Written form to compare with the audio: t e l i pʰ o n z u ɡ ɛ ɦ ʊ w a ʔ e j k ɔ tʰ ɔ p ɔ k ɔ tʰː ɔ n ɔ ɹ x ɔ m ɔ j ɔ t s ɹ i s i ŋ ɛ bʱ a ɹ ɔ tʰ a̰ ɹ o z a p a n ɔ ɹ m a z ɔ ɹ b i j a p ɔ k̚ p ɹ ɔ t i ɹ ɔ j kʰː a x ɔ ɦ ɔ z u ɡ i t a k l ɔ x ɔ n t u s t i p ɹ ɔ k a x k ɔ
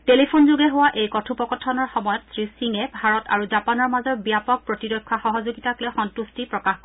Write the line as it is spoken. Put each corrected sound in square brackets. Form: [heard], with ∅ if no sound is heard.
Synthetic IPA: t e l i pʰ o n z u ɡ ɛ ɦ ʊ w a ʔ e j k ɔ tʰ [u] p ɔ k ɔ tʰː ɔ n ɔ ɹ x ɔ m ɔ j ɔ t s ɹ i s i ŋ ɛ bʱ a ɹ ɔ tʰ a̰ ɹ [u] z a p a n ɔ ɹ m a z ɔ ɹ b i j a p ɔ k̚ p ɹ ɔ t i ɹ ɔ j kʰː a x ɔ ɦ ɔ z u ɡ i t a k l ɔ x ɔ n t u s t i p ɹ ɔ k a x k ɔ

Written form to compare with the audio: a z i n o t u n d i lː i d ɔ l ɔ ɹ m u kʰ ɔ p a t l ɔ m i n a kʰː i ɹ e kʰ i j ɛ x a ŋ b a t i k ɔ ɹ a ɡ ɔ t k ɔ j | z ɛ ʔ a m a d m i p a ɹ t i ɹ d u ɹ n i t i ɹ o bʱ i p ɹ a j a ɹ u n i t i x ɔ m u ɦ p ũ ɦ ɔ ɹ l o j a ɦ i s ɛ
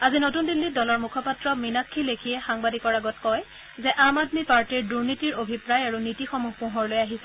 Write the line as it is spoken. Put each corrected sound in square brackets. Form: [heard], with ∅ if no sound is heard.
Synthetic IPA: a z i n o t u n d i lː i d ɔ l ɔ ɹ m u kʰ ɔ p a t [ɹ] ɔ m i n a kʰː i [l] e kʰ i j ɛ x a ŋ b a [d] i k ɔ ɹ a ɡ ɔ t k ɔ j | z ɛ ʔ a m a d m i p a ɹ t i ɹ d u ɹ n i t i ɹ o bʱ i p ɹ a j a ɹ u n i t i x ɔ m u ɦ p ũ ɦ ɔ ɹ l o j a ɦ i s ɛ

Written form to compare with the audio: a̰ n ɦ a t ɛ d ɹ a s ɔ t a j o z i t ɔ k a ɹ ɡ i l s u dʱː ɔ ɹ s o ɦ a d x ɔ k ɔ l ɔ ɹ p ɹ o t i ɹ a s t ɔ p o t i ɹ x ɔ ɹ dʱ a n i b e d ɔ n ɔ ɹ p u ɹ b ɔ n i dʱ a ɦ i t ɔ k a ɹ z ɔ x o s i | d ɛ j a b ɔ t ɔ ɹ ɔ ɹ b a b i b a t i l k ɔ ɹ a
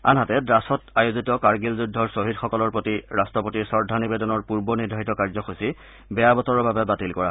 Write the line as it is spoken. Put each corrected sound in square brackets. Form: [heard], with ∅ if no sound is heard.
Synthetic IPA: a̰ n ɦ a t ɛ d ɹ a s ɔ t a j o z i t ɔ k a ɹ ɡ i l [z] u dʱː ɔ ɹ s o ɦ [i] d x ɔ k ɔ l ɔ ɹ p ɹ o t i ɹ a s t ɔ p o t i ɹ [s] ɔ ɹ dʱ a n i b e d ɔ n ɔ ɹ p u ɹ b ɔ n i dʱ a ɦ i t ɔ k a ɹ z ɔ x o s i | [b] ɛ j a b ɔ t ɔ ɹ ɔ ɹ b a b [ɛ] b a t i l k ɔ ɹ a

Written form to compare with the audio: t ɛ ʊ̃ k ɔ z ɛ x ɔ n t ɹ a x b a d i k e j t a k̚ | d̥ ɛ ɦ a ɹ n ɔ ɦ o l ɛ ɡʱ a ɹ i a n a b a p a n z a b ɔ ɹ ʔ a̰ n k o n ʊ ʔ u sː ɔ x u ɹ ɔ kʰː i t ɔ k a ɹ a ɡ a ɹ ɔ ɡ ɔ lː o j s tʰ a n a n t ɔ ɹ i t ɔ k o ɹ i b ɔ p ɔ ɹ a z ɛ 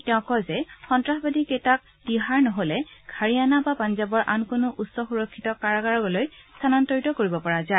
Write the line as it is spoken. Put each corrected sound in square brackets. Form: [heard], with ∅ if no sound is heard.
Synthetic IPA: t ɛ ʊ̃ k ɔ z ɛ x ɔ n t ɹ a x b a d i k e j t a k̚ | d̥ [i] ɦ a ɹ n ɔ ɦ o l ɛ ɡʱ a ɹ i a n a b a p a n z a b ɔ ɹ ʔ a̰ n k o n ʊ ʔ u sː ɔ x u ɹ ɔ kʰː i t ɔ k a ɹ a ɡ a ɹ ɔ ɡ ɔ [l] o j s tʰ a n a n t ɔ ɹ i t ɔ k o ɹ i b ɔ p ɔ ɹ a z [a]

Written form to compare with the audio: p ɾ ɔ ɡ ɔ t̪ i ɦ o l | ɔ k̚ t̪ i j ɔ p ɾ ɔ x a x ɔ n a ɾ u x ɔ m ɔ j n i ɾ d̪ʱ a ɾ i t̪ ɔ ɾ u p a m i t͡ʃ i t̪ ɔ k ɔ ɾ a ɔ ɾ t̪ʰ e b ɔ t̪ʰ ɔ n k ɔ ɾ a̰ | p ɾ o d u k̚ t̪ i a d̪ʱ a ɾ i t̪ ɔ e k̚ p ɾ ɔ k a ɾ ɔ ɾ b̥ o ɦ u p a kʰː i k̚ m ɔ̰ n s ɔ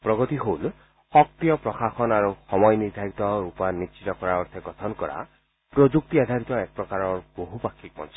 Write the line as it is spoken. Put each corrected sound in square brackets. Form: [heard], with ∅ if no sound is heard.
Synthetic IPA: p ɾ ɔ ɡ ɔ t̪ i ɦ o l | ɔ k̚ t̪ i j ɔ p ɾ ɔ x a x ɔ n a ɾ u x ɔ m ɔ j n i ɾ d̪ʱ a ɾ i t̪ ɔ ɾ u p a [n] i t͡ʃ i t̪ ɔ k ɔ ɾ a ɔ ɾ t̪ʰ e [ɡ] ɔ t̪ʰ ɔ n k ɔ ɾ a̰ | p ɾ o [d͡ʒ] u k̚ t̪ i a d̪ʱ a ɾ i t̪ ɔ e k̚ p ɾ ɔ k a ɾ ɔ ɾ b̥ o ɦ u p a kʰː i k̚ m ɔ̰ n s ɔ

